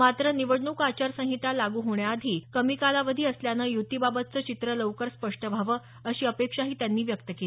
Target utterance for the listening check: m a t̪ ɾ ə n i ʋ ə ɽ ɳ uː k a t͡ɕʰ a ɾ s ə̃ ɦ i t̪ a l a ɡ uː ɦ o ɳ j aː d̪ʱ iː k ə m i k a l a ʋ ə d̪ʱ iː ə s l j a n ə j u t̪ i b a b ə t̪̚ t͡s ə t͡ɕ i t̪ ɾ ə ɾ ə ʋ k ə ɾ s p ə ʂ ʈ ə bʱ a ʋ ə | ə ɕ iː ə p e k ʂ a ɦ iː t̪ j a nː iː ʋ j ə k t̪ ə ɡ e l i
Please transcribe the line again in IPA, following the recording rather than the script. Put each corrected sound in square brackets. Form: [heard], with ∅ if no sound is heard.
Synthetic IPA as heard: m a t̪ ɾ ə n i ʋ ə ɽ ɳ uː k a [t͡ɕ] a ɾ s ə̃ ɦ i t̪ a l a ɡ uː ɦ o ɳ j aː d̪ʱ iː k ə m i k a l a ʋ ə d̪ʱ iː ə s l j a n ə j u t̪ i b a b ə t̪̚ t͡s ə t͡ɕ i t̪ ɾ ə [l] ə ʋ k ə ɾ s p ə ʂ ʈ ə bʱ a ʋ ə | ə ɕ iː ə p e k ʂ a ɦ iː t̪ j a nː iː ʋ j ə k t̪ ə [k] e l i